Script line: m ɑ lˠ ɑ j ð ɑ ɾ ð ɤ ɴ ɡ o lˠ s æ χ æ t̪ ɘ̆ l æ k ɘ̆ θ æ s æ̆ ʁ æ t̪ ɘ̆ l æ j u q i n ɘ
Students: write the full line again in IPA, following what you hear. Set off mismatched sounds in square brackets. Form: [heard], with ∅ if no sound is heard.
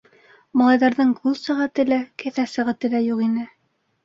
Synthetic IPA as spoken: m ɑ lˠ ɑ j ð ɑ ɾ ð ɤ ɴ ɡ [u] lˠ s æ [ʁ] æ t̪ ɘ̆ l æ k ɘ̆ θ æ s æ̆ ʁ æ t̪ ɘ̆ l æ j u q i n ɘ